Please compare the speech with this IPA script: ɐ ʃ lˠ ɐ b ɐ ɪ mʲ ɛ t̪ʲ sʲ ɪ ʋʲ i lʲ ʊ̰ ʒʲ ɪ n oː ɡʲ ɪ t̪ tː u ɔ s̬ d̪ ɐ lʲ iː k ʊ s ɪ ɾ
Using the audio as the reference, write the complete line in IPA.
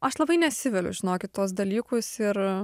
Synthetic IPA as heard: ɐ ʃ lˠ ɐ b ɐ ɪ nʲ ɛ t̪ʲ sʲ ɪ ʋʲ ɛ lʲ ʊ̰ ʒʲ ɪ n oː kʲ ɪ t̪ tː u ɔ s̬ d̪ ɐ lʲ iː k ʊ s ɪ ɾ